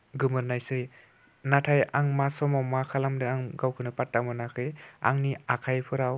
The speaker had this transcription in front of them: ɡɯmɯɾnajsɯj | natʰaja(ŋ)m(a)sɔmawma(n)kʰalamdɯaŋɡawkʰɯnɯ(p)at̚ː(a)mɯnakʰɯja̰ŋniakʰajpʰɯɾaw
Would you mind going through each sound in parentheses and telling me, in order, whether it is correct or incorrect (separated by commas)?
correct, correct, incorrect, correct, correct